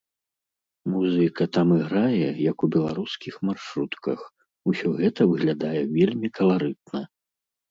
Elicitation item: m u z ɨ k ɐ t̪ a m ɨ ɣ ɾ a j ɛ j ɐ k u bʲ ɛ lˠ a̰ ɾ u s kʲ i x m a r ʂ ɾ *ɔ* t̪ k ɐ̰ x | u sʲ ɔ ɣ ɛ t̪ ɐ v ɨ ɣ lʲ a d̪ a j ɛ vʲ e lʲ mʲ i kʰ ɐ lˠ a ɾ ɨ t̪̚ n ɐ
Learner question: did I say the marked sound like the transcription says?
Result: no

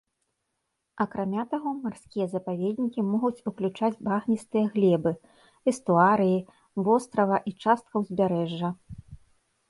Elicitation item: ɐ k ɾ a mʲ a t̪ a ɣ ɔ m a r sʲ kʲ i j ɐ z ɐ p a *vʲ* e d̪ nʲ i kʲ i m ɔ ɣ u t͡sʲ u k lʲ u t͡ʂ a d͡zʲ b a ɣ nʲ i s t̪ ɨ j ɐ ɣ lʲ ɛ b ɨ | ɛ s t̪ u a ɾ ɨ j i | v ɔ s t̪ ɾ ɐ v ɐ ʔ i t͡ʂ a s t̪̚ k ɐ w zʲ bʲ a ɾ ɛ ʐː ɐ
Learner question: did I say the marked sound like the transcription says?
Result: yes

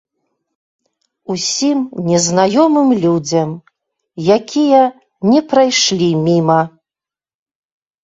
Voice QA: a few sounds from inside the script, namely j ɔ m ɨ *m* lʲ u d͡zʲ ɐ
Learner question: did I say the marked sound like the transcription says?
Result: yes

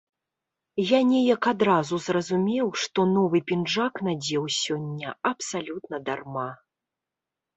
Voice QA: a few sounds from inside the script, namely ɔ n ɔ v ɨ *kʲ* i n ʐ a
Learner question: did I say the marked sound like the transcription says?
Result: no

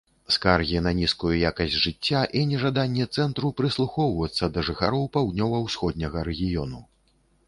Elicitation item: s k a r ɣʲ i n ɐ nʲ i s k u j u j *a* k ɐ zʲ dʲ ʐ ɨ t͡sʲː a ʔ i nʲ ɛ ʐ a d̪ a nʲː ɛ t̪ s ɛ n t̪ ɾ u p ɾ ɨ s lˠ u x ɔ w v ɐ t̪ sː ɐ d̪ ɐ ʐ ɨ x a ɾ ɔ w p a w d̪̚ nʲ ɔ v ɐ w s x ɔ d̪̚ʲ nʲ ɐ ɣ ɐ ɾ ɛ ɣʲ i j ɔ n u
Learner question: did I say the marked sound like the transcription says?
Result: yes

